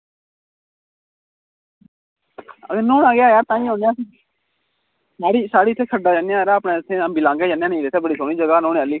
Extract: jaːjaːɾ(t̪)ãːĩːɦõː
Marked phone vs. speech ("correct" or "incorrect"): correct